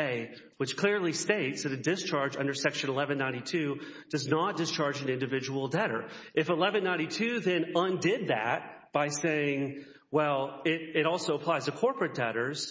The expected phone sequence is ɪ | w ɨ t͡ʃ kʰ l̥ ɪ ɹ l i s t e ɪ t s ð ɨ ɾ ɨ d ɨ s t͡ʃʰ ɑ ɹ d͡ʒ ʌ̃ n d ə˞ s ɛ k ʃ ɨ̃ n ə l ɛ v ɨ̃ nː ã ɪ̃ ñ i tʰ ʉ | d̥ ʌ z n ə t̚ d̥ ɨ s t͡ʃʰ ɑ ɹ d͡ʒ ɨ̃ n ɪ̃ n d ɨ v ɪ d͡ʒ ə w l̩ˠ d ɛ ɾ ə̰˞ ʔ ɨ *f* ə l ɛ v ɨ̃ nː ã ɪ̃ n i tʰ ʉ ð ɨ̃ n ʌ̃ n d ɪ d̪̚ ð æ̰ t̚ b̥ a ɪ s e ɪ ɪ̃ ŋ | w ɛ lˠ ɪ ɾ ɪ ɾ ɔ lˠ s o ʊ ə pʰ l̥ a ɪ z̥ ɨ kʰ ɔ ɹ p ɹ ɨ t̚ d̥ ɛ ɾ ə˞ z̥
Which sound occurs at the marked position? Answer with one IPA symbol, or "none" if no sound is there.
f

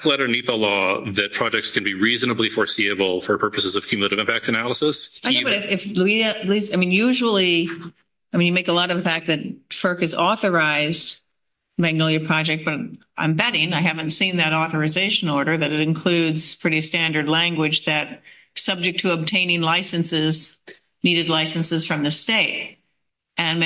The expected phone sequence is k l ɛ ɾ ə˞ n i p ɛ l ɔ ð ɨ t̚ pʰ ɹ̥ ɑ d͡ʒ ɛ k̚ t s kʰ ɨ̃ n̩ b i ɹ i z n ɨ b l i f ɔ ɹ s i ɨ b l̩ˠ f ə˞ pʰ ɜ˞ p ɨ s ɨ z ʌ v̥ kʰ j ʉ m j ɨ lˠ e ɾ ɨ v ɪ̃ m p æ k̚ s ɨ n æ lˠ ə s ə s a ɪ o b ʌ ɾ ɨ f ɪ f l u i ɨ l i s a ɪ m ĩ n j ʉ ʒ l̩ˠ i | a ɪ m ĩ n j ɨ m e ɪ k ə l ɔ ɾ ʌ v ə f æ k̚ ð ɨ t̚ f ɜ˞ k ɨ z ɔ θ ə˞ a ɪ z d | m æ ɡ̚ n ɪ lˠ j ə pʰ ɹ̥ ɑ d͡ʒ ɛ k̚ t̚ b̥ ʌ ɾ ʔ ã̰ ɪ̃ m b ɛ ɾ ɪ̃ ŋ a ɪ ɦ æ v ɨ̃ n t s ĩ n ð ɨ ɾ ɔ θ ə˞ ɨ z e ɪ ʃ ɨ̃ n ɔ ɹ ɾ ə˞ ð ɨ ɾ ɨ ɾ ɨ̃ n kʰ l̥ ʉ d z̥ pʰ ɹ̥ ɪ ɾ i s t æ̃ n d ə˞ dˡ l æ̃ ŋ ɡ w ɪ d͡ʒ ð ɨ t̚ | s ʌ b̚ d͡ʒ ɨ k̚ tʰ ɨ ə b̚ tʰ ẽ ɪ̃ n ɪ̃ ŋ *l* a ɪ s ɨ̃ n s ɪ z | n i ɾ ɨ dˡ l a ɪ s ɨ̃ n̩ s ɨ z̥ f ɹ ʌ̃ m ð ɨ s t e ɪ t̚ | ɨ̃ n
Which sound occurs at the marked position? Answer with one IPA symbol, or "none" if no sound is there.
l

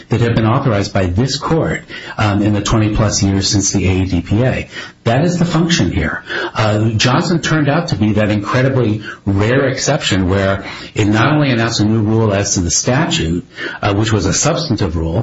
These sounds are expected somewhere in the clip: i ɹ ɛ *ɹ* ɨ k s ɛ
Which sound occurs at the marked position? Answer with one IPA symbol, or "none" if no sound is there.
ɹ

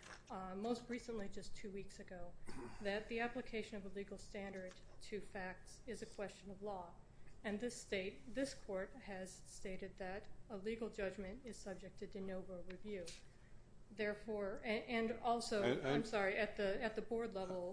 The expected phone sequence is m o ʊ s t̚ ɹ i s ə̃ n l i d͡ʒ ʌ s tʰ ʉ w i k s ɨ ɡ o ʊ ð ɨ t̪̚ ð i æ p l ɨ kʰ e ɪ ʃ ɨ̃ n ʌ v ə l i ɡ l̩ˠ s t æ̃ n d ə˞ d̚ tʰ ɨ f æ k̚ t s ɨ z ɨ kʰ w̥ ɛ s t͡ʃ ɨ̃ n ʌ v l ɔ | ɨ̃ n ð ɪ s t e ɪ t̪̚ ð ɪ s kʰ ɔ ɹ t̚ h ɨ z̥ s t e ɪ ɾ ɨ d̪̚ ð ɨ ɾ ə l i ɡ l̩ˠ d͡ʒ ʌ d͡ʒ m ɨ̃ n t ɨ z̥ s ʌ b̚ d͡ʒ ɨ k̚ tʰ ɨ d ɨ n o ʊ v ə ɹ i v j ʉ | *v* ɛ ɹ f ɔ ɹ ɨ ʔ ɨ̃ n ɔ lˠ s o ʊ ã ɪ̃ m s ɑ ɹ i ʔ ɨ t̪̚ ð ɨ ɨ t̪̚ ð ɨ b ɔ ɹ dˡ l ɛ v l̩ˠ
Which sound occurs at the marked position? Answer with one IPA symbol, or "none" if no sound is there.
ð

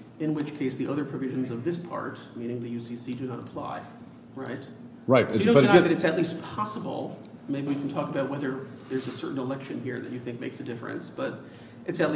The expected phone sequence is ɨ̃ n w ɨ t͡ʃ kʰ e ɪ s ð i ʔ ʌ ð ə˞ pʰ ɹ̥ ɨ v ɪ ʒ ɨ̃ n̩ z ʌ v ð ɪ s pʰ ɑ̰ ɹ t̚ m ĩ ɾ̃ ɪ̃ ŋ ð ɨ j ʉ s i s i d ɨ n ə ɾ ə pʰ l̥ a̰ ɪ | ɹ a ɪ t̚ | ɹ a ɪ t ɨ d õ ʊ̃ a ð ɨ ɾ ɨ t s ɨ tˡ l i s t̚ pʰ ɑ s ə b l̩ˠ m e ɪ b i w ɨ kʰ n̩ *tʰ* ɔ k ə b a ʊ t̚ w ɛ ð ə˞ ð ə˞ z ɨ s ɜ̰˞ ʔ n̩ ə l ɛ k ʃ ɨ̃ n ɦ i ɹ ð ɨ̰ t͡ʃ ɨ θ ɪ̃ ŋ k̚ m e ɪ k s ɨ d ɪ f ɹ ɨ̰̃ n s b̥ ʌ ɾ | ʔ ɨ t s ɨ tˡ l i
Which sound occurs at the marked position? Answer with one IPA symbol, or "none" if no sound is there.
tʰ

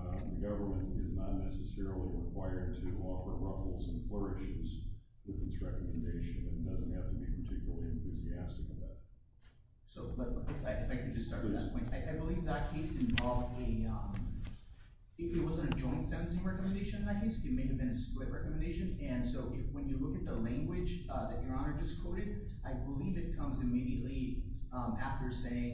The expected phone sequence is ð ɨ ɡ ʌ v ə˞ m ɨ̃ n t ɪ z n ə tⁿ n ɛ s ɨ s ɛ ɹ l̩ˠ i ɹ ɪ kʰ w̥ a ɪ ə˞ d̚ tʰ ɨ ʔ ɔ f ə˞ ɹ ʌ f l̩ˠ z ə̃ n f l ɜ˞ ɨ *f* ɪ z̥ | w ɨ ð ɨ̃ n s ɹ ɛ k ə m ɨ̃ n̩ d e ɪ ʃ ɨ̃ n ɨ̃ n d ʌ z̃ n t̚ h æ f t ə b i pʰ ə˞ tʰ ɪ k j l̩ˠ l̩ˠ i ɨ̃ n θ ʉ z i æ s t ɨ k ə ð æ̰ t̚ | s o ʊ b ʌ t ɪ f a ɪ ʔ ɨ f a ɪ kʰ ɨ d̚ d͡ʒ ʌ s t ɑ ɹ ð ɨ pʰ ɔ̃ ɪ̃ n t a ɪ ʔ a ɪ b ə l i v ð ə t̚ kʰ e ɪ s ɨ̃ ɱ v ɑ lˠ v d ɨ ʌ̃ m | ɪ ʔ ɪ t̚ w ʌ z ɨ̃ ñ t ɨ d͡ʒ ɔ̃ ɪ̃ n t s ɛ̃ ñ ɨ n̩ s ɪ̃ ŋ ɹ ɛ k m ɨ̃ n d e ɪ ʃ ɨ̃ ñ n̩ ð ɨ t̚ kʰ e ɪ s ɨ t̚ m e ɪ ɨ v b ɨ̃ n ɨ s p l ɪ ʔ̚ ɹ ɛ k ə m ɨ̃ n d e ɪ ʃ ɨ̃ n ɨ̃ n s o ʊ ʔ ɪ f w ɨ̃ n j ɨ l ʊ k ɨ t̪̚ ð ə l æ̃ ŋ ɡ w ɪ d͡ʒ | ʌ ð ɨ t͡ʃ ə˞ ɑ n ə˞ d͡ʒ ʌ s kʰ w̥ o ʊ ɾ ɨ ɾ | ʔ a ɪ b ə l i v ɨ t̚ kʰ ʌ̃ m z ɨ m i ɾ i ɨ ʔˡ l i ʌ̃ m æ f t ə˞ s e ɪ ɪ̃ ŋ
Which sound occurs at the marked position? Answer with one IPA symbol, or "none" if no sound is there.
ʃ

